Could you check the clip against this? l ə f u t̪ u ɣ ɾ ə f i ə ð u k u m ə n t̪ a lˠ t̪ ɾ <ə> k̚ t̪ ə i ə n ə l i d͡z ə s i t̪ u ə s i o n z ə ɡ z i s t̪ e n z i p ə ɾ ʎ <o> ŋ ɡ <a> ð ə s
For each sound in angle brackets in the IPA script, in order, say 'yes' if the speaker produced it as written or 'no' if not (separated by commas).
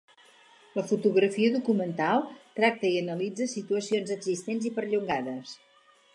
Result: no, no, yes